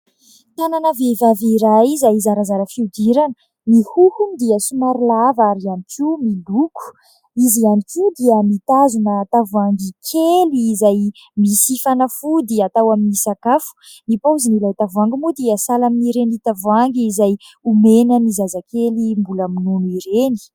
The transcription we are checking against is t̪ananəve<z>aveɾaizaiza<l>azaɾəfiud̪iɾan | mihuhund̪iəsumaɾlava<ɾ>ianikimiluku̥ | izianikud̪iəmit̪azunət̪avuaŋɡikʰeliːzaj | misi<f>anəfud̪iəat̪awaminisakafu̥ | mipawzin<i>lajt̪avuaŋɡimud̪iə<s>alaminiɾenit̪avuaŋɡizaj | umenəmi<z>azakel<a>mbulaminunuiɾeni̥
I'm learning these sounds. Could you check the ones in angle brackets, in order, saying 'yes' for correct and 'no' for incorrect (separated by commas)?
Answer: no, no, yes, yes, yes, yes, yes, no